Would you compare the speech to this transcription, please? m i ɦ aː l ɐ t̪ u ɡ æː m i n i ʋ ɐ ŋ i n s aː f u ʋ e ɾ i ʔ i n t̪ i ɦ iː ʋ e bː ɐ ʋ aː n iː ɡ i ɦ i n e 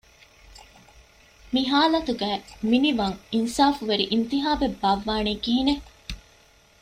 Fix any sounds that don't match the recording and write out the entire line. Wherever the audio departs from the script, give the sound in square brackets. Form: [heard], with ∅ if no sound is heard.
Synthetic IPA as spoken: m i ɦ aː l ɐ t̪ u ɡ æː m i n i ʋ ɐ ŋ i n s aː f u ʋ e ɾ i ʔ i n t̪ i ɦ [aː] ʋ e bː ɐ [ʋː] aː n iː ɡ i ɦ i n e